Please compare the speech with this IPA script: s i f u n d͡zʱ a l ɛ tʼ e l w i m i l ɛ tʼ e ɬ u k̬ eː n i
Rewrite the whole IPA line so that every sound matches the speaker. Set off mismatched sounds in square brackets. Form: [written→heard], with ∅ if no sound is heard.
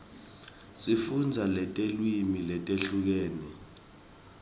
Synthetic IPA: s i f u n d͡zʱ a l ɛ tʼ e l w i m i l ɛ tʼ e ɬ u k̬ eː n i